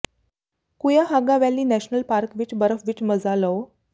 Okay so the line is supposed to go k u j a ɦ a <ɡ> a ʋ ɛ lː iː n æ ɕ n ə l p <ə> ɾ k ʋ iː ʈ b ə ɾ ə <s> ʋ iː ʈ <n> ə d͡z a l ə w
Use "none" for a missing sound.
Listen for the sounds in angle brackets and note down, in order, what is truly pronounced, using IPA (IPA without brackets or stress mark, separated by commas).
ɡ, a, f, m